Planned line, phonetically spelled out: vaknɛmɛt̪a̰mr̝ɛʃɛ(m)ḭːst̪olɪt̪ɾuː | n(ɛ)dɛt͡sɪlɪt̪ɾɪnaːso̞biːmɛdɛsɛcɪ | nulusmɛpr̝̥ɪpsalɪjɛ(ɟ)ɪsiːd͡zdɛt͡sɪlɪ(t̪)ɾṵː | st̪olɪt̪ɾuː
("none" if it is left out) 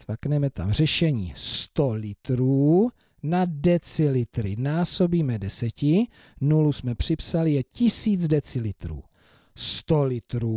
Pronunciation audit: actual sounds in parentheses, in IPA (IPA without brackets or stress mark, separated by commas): ɲ, a, c, t̪